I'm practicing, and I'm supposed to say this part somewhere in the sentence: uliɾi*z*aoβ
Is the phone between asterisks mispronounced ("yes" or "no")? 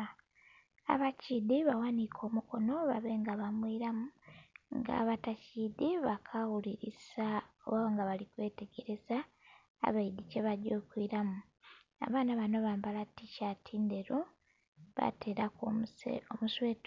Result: yes